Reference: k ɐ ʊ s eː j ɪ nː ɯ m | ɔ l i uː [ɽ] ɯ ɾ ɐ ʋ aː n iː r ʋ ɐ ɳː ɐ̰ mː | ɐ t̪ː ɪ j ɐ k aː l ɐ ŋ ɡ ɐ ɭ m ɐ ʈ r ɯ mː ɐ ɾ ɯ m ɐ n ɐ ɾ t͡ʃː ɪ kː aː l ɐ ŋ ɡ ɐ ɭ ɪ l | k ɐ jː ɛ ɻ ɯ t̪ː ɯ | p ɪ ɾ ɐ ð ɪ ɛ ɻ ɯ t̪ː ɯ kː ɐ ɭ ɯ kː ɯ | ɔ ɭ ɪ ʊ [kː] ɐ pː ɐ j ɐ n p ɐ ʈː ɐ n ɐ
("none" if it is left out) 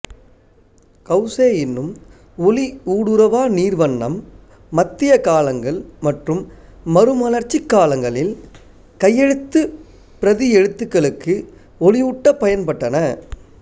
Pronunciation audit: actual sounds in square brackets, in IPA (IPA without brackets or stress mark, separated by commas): ɽ, ʈː